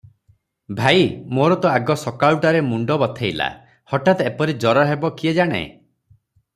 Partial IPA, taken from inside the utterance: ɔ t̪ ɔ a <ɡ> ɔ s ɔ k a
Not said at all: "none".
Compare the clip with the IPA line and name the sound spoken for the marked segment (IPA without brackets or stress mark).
ɡ